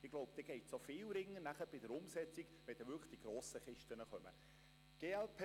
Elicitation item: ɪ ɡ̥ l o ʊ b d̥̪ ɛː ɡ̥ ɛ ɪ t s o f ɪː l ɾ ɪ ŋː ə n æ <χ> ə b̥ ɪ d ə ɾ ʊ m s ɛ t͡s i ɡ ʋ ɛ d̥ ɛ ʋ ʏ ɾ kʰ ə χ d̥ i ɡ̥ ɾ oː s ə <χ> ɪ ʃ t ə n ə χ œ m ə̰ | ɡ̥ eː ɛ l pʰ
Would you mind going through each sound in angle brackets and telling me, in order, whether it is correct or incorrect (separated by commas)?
correct, correct